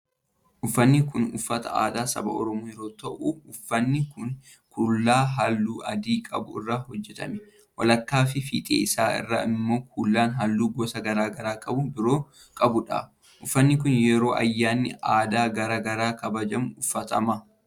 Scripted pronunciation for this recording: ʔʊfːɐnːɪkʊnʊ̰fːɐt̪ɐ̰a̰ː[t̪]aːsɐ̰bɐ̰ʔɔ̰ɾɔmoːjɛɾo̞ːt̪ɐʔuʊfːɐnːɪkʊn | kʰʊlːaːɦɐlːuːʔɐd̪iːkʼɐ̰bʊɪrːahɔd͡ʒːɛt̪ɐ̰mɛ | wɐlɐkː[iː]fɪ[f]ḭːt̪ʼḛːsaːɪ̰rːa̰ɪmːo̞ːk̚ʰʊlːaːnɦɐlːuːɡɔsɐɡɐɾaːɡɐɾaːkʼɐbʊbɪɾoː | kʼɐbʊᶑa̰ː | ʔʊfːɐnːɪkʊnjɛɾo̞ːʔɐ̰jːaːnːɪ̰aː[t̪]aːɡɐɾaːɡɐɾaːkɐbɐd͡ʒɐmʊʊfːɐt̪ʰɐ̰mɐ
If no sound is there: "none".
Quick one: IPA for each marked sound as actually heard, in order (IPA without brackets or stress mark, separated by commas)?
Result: d̪, aː, f, d̪